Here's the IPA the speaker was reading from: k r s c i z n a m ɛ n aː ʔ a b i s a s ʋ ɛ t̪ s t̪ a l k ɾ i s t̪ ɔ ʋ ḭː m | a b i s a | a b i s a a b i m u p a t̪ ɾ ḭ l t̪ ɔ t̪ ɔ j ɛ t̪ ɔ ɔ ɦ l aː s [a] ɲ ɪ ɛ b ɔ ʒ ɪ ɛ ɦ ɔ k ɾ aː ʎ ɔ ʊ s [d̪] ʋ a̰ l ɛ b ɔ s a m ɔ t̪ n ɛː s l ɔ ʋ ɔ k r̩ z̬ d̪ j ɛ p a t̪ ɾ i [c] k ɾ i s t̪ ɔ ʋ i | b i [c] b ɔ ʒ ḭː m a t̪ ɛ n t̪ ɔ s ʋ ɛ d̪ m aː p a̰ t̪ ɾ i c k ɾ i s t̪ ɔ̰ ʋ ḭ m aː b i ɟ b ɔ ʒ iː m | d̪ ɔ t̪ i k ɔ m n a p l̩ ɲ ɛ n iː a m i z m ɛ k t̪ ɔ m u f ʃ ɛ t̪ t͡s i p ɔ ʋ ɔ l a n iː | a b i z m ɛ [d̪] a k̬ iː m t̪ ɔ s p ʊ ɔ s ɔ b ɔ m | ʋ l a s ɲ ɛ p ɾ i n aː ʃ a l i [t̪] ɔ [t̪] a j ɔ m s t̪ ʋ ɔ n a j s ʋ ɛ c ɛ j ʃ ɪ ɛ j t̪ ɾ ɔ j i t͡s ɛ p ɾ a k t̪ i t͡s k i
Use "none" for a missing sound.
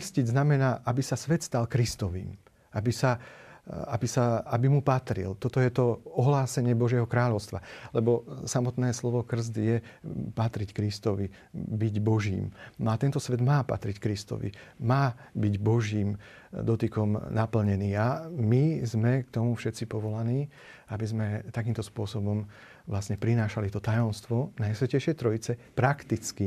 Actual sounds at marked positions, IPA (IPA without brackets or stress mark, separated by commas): ɛ, t̪, c, ɟ, t̪, t̪, t̪